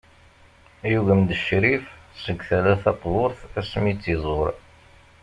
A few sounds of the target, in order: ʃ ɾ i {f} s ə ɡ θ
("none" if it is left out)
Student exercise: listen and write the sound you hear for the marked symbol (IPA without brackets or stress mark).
f